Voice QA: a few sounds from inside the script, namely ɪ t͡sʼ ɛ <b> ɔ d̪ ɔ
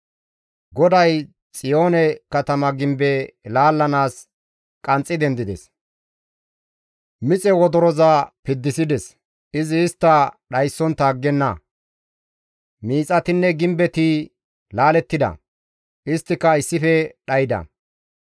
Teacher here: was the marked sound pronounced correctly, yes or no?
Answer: no